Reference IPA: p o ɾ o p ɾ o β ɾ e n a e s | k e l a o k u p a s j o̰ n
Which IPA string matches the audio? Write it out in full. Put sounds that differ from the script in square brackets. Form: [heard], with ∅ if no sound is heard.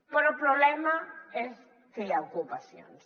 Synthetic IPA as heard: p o ɾ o p ɾ o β [l] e [m] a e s | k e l a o k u p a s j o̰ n